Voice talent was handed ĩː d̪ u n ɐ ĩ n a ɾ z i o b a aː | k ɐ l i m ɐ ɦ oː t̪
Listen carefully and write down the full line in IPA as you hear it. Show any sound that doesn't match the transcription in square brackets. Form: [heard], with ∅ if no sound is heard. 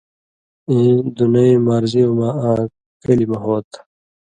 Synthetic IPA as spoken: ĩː d̪ u n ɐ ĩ [m] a ɾ z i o [m] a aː | k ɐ l i m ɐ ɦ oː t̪